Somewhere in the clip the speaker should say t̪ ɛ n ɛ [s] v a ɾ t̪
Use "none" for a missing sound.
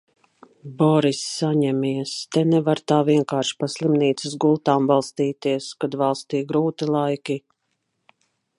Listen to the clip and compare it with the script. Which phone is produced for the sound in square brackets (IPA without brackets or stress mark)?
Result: none